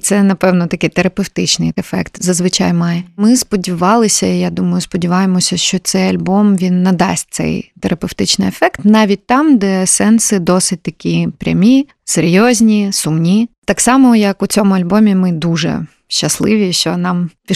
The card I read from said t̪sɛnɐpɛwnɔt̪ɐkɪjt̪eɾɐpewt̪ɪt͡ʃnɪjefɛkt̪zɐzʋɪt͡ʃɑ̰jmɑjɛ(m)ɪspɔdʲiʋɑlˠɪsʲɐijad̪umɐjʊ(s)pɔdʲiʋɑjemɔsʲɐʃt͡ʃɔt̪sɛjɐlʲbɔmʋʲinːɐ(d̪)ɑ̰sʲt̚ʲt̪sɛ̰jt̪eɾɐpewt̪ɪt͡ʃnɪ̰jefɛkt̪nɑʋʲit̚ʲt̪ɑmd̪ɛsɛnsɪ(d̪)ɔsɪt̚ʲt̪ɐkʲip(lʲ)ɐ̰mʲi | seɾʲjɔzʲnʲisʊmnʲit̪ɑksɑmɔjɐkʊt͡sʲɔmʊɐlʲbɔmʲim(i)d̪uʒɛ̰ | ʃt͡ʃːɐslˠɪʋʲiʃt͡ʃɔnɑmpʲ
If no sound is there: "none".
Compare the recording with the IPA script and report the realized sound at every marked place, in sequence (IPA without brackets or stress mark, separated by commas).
m, s, d̪, d̪, ɾʲ, ɪ